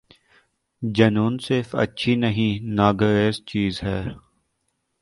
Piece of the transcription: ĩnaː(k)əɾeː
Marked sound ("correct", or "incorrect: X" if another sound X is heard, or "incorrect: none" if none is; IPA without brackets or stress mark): incorrect: ɡ